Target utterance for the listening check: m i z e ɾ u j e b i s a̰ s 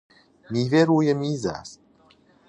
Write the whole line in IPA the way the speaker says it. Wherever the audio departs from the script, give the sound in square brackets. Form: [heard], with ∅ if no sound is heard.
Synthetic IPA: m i [v] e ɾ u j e [m] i [z] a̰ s